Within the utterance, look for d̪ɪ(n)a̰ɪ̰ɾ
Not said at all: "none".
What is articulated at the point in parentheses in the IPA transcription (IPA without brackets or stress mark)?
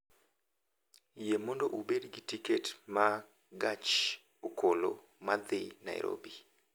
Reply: n